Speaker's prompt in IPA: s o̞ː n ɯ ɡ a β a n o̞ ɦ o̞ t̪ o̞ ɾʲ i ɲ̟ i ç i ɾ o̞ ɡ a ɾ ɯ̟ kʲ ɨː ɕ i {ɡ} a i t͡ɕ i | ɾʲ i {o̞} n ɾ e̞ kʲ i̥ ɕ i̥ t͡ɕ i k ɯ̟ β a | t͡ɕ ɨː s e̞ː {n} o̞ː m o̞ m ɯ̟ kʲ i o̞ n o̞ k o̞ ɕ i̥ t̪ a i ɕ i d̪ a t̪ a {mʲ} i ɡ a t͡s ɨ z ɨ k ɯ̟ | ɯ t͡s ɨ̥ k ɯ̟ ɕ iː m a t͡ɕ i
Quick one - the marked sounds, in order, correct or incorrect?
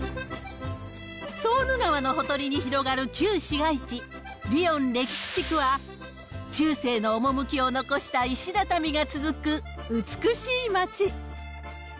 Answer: correct, incorrect: õ̞, correct, correct

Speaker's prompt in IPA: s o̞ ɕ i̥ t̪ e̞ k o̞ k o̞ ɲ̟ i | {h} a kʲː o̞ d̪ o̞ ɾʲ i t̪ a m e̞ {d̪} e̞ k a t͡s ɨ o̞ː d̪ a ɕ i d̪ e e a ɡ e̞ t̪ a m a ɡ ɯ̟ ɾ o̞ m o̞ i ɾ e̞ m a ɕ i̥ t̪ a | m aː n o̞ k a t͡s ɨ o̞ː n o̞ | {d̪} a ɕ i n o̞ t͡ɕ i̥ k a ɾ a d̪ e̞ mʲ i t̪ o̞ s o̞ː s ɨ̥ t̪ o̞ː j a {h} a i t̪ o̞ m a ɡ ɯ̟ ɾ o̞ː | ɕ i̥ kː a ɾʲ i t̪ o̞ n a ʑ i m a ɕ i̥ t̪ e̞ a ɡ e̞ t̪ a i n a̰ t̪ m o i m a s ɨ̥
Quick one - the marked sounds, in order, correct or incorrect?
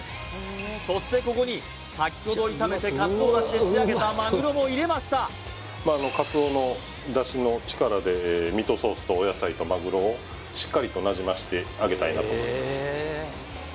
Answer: incorrect: s, incorrect: t̪, correct, incorrect: s

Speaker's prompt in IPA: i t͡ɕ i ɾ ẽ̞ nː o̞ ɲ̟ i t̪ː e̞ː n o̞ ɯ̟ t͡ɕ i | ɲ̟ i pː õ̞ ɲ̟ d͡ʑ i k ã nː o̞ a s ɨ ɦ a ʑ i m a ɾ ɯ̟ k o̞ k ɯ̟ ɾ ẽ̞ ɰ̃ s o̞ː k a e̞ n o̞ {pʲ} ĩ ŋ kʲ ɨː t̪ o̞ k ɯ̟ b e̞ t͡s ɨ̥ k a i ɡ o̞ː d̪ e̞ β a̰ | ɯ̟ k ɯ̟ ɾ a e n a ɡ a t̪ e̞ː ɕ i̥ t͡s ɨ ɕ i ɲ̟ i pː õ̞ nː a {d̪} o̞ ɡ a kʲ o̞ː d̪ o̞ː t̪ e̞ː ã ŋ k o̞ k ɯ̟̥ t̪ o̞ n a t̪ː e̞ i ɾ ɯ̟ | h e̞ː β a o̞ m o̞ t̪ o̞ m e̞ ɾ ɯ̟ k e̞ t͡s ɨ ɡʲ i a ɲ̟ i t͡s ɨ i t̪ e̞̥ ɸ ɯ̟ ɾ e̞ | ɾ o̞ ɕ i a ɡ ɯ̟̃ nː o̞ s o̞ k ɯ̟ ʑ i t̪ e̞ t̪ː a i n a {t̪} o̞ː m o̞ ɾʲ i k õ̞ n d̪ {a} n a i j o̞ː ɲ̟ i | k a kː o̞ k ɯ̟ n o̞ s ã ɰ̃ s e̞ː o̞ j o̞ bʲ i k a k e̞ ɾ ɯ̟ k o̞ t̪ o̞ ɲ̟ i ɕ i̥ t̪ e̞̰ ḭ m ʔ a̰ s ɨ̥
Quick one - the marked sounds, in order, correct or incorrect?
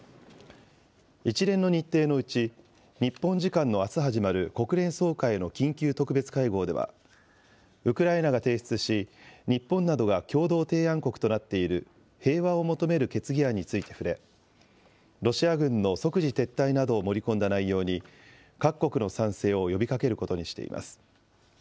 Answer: incorrect: kʲ, correct, incorrect: d̪, correct

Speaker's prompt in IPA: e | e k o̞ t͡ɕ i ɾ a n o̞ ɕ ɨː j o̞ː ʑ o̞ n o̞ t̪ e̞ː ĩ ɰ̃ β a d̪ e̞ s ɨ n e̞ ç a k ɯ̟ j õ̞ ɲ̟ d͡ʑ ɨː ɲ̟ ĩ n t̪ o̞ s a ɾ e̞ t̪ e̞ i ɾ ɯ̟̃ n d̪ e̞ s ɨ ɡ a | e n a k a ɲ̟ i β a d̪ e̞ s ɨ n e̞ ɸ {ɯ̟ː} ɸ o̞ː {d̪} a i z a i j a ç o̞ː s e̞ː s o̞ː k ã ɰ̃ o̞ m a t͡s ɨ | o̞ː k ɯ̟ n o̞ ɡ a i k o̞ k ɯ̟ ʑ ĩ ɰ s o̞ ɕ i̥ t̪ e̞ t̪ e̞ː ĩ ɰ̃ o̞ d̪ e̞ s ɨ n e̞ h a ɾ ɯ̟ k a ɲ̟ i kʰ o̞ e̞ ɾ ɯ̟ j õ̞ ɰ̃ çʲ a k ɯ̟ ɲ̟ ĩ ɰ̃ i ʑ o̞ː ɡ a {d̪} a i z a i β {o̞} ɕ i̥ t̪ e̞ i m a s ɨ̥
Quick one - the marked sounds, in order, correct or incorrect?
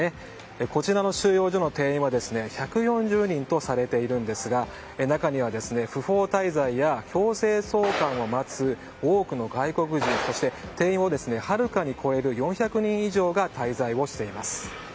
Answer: incorrect: ɯ̟, incorrect: t̪, incorrect: t̪, correct

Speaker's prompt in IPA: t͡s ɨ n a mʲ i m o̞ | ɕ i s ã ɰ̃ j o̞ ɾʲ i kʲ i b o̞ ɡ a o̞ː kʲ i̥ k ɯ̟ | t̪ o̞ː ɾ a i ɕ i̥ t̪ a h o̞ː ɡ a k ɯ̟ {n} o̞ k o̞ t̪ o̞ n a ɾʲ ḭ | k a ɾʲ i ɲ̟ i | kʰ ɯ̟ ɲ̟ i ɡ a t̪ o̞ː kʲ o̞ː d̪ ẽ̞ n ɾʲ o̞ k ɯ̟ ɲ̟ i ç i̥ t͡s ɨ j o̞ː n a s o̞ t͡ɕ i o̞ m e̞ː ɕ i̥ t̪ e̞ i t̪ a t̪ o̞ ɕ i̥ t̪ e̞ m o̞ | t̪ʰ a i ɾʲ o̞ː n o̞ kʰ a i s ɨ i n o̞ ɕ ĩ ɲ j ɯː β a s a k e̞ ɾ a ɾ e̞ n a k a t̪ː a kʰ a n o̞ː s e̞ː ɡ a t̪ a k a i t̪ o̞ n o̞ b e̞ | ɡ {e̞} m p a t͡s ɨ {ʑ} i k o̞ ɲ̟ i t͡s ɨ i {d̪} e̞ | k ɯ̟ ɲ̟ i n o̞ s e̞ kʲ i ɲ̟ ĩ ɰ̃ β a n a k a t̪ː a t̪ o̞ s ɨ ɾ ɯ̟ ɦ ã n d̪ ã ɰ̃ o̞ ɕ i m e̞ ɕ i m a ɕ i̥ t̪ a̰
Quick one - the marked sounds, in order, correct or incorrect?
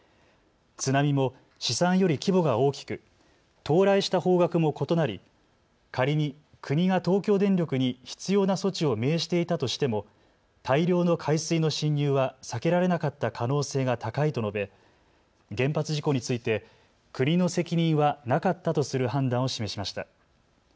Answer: incorrect: m, incorrect: ẽ̞, correct, incorrect: t̪

